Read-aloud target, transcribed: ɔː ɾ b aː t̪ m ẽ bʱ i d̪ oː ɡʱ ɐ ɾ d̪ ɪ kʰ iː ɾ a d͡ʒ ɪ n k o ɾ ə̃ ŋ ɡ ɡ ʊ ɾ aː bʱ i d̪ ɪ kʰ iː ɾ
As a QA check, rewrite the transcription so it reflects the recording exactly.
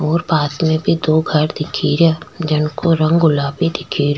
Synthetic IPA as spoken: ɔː ɾ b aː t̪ m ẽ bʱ i d̪ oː ɡʱ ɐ ɾ d̪ ɪ kʰ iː ɾ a d͡ʒ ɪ n k o ɾ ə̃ ŋ ɡ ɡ ʊ l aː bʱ i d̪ ɪ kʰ iː ɾ